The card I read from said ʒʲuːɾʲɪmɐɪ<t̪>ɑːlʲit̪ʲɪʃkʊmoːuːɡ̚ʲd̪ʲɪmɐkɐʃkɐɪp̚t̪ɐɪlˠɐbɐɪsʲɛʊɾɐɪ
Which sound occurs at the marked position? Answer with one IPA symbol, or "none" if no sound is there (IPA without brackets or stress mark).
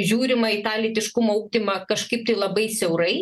t̪